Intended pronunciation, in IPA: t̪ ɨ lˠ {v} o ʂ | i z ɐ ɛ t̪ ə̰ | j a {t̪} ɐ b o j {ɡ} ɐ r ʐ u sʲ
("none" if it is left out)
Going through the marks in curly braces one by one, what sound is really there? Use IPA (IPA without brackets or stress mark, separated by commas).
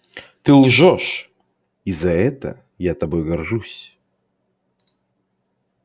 ʐ, t̪, ɡ